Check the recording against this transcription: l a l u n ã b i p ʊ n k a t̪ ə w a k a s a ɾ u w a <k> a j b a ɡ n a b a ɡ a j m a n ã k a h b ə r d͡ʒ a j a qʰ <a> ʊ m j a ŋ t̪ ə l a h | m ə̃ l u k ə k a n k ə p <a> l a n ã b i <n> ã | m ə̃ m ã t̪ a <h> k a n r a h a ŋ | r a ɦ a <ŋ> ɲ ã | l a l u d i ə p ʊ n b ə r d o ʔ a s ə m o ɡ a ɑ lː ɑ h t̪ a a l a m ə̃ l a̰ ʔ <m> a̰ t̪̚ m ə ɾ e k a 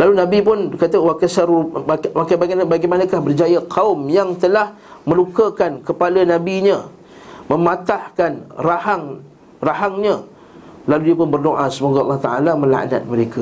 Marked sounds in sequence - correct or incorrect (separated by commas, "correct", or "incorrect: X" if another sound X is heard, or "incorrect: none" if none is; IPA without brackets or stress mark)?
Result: correct, correct, correct, incorrect: ɲ, correct, correct, incorrect: n